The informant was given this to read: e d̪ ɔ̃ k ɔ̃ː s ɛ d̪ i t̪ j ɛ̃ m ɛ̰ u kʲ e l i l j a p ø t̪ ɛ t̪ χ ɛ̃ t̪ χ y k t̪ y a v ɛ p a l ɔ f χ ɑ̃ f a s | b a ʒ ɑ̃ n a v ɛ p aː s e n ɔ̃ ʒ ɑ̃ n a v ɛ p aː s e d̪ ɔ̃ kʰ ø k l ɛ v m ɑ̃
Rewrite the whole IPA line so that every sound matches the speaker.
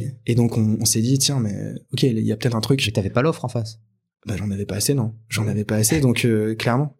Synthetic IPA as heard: e d̪ ɔ̃ k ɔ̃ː s ɛ d̪ i t̪ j ɛ̃ m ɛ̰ ɔ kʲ e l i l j a p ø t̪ ɛ t̪ χ ɛ̃ t̪ χ y k t̪ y a v ɛ p a l ɔ f χ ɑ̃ f a s | b a ʒ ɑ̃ n a v ɛ p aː s e n ɔ̃ ʒ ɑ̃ n a v ɛ p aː s e d̪ ɔ̃ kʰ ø k l ɛ ʁ m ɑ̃